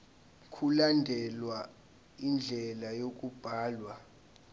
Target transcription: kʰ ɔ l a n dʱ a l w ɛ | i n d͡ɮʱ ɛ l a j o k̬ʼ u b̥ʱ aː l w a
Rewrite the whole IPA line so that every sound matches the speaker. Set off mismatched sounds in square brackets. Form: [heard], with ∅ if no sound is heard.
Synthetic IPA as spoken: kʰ [u] l a n dʱ [ɛ] l w [a] | i n d͡ɮʱ ɛ l a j o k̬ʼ u b̥ʱ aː l w a